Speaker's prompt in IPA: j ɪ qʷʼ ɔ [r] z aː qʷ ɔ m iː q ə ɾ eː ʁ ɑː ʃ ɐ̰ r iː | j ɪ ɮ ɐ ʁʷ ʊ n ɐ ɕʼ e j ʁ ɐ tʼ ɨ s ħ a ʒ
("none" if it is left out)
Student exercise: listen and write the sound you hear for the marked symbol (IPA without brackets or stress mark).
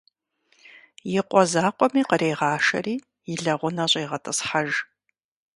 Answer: none